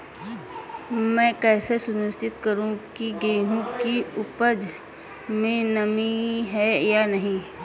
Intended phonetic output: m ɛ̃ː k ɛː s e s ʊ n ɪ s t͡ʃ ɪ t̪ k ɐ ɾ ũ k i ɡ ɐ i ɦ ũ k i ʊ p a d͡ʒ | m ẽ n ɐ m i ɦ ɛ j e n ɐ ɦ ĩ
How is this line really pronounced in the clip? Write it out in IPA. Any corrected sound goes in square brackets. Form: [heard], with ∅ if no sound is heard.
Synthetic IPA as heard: m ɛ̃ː k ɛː s e s ʊ n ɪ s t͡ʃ ɪ t̪ k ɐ ɾ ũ k i ɡ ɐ i ɦ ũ k i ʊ p [ə] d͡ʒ | m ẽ n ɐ m i ɦ ɛ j [a] n ɐ ɦ ĩ

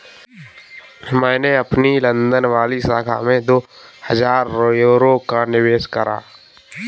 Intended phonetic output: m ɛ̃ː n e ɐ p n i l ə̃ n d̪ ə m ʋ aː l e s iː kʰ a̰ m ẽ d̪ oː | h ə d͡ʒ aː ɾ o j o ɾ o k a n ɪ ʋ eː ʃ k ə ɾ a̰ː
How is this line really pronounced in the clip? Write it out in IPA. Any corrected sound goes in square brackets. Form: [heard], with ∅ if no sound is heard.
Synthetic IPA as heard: m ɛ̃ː n e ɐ p n i l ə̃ n d̪ ə [n] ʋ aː l [i] s [aː] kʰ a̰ m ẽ d̪ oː | h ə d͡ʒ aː ɾ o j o ɾ o k a n ɪ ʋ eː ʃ k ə ɾ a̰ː

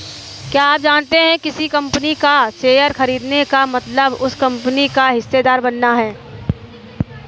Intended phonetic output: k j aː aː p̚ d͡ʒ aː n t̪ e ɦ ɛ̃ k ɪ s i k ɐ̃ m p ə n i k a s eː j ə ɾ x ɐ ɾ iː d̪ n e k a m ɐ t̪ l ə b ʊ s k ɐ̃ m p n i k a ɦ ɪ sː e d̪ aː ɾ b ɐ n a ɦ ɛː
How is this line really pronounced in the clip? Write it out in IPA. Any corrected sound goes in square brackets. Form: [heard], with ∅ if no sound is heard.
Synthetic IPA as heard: k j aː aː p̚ d͡ʒ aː n t̪ e ɦ ɛ̃ k ɪ s i k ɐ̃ m p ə n i k a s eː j ə ɾ x ɐ ɾ iː d̪ n e k a m ɐ t̪ l ə b ʊ s k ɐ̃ m p n i k a ɦ ɪ sː e d̪ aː ɾ b ɐ [nː] a ɦ ɛː

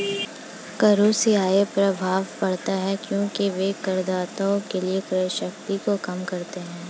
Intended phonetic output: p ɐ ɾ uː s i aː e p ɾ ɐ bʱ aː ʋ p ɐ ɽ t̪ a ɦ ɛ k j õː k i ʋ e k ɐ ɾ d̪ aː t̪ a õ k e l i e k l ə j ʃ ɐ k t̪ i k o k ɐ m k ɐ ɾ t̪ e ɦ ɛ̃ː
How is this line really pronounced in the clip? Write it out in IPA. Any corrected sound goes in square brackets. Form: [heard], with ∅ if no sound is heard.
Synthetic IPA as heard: [k] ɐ ɾ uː s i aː e p ɾ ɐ bʱ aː ʋ p ɐ ɽ t̪ a ɦ ɛ k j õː k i ʋ e k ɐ ɾ d̪ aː t̪ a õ k e l i e k [ɾ] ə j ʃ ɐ k t̪ i k o k ɐ m k ɐ ɾ t̪ e ɦ ɛ̃ː

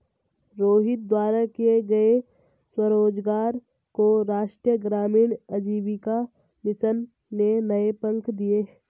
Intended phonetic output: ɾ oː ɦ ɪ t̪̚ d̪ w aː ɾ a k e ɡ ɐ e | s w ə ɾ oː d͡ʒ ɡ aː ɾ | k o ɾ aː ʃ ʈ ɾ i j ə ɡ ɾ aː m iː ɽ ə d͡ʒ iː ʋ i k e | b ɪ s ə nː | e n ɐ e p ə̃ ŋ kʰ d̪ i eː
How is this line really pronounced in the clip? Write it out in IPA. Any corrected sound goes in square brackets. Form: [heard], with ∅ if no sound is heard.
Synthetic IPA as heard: ɾ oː ɦ ɪ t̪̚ d̪ w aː ɾ a k e ɡ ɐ e | s w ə ɾ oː d͡ʒ ɡ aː ɾ | k o ɾ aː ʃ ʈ ɾ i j ə ɡ ɾ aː m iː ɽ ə d͡ʒ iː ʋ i k [a] | [m] ɪ s ə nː | e n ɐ e p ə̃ ŋ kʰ d̪ i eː

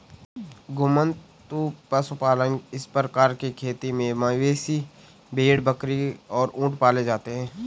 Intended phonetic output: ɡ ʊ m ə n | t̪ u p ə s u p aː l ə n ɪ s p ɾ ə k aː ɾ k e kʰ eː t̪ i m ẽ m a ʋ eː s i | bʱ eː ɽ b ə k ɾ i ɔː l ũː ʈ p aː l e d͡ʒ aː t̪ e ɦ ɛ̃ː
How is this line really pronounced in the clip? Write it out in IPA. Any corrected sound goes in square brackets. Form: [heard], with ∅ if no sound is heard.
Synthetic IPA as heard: ɡ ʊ m ə n | t̪ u p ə s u p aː l ə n ɪ s p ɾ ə k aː ɾ k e kʰ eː t̪ i m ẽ m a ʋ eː s i | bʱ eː ɽ b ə k ɾ i ɔː [ɾ] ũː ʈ p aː l e d͡ʒ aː t̪ e ɦ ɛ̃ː

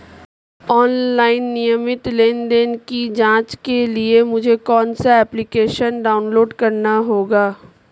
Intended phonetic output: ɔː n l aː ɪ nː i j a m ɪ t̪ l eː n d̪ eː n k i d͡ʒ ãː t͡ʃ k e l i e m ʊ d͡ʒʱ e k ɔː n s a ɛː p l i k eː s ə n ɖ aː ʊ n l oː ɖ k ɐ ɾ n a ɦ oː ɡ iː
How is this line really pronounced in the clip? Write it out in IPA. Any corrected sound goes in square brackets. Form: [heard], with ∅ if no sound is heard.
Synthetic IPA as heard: ɔː n l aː ɪ nː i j [ə] m ɪ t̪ l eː n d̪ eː n k i d͡ʒ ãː t͡ʃ k e l i e m ʊ d͡ʒʱ e k ɔː n s a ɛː p l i k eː [ʃ] ə n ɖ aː ʊ n l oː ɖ k ɐ ɾ n a ɦ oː ɡ [aː]

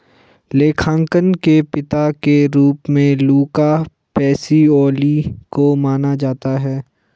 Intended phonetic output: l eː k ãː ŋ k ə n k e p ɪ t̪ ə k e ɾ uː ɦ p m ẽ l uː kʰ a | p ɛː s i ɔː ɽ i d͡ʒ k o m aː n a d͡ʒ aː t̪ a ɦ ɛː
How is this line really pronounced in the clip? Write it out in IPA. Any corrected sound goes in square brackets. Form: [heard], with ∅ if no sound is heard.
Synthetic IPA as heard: l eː [kʰ] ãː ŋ k ə n k e p ɪ t̪ [a] k e ɾ uː [∅] p m ẽ l uː [k] a | p ɛː s i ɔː [l] i [∅] k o m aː n a d͡ʒ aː t̪ a ɦ ɛː

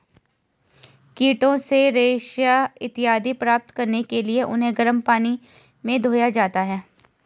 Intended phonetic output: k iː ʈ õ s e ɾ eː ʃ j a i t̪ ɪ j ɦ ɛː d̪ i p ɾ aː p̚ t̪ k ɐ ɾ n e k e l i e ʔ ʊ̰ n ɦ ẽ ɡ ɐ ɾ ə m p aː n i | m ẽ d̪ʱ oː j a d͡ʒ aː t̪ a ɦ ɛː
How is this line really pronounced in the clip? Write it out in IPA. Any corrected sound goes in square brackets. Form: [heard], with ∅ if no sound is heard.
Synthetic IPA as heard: k iː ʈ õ s e ɾ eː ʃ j a [ɪ] t̪ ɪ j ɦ [aː] d̪ i p ɾ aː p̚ t̪ k ɐ ɾ n e k e l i e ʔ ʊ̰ n ɦ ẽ ɡ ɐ ɾ ə m p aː n i | m ẽ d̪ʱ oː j a d͡ʒ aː t̪ a ɦ ɛː

